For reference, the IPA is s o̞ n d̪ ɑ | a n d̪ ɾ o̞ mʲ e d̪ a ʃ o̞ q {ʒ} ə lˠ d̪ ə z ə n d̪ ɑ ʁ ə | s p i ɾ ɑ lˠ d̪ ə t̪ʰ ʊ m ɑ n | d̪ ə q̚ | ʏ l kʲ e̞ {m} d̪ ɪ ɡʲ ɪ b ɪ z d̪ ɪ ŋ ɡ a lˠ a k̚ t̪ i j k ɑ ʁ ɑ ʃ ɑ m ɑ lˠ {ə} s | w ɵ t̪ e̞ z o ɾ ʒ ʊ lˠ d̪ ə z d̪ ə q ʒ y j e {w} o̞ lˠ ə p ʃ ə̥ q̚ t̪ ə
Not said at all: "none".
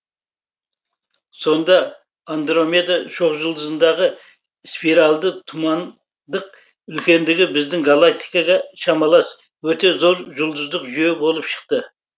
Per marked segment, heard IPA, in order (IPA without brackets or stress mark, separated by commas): ʒ, n, ɑ, b